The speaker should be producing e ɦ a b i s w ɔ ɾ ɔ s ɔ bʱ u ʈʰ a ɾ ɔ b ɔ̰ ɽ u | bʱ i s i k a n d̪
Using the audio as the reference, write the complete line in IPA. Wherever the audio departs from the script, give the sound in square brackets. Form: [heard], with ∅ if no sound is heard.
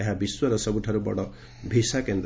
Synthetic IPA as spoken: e ɦ a b i s w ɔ ɾ ɔ s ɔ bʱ u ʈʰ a ɾ [u] b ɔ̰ ɽ [ɔ] | bʱ i s [a] k [e] n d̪